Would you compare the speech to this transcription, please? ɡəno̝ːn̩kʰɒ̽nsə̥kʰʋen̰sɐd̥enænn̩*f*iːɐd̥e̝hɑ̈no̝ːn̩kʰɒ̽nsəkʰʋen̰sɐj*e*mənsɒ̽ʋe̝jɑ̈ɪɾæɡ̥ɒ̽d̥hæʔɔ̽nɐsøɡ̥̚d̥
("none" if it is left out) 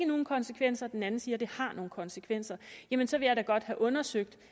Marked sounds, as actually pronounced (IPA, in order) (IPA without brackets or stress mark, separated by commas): s, æ